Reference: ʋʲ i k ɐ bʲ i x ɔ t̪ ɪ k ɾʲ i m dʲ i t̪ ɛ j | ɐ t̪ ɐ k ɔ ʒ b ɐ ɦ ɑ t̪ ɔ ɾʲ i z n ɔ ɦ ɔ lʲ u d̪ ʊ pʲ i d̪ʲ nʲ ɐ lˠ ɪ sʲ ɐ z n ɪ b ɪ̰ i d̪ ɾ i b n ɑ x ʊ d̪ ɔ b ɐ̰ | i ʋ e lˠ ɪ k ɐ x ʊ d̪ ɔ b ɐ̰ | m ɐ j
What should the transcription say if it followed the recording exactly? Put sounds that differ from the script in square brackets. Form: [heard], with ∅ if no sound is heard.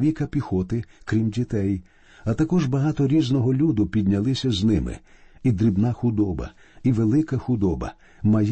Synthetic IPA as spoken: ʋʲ i k ɐ [pʲ] i x ɔ t̪ ɪ k ɾʲ i m dʲ i t̪ ɛ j | ɐ t̪ ɐ k ɔ ʒ b ɐ ɦ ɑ t̪ ɔ ɾʲ i z n ɔ ɦ ɔ lʲ u d̪ ʊ pʲ i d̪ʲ nʲ ɐ lˠ ɪ sʲ ɐ z n ɪ [m] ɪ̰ i d̪ ɾ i b n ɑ x ʊ d̪ ɔ b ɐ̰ | i ʋ e lˠ ɪ k ɐ x ʊ d̪ ɔ b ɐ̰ | m ɐ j